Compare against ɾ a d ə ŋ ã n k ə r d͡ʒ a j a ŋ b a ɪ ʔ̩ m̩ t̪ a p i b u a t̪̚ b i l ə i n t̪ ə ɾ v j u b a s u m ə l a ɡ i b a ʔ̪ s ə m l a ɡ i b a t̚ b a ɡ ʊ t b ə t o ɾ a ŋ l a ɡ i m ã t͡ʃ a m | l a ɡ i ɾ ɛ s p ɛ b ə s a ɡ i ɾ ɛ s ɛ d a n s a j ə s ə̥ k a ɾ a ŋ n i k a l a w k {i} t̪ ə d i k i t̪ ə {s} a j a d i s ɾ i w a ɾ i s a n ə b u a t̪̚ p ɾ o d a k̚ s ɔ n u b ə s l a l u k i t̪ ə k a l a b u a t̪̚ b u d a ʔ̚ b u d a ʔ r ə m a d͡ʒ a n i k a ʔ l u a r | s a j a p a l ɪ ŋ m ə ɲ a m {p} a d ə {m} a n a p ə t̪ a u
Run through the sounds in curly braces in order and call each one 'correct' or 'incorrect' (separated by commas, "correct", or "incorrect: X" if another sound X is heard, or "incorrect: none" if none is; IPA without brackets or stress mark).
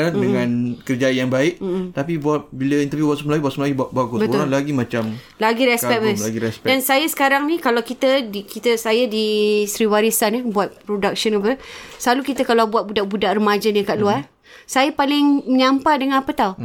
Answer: correct, correct, correct, incorrect: ŋ